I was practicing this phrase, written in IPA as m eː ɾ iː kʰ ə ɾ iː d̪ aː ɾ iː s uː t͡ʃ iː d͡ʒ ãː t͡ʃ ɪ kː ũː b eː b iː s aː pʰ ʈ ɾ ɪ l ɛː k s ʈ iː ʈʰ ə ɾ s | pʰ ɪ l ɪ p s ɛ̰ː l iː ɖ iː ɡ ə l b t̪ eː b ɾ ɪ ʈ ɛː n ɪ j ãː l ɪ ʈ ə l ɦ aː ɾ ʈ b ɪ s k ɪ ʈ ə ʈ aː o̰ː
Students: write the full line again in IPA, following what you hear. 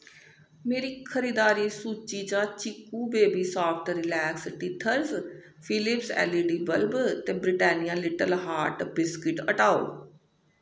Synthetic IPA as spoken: m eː ɾ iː kʰ ə ɾ iː d̪ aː ɾ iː s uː t͡ʃ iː d͡ʒ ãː t͡ʃ ɪ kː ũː b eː b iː s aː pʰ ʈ ɾ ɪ l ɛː k s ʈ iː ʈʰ ə ɾ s | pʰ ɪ l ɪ p s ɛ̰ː l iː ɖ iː b ə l b t̪ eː b ɾ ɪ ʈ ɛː n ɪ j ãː l ɪ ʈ ə l ɦ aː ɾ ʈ b ɪ s k ɪ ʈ ə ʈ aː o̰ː